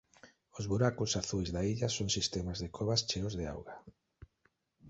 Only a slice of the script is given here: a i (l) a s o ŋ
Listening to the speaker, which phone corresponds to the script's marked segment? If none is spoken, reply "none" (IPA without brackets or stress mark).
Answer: ʎ